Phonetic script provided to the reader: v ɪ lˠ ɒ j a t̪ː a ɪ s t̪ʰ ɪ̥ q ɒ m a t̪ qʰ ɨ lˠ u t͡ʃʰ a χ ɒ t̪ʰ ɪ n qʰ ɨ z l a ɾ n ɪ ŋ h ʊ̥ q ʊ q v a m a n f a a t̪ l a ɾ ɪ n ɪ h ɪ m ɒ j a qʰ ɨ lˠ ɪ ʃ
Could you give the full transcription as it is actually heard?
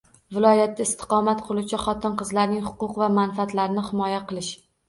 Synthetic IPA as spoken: v ɪ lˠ ɒ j a t̪ː a ɪ s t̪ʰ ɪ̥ q ɒ m a t̪ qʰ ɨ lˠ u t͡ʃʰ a χ ɒ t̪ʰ ɪ n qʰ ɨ z l a ɾ n ɪ ŋ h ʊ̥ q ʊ q v a m a n f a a t̪ l a ɾ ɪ n ɪ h ɪ m ɒ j a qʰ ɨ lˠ ɪ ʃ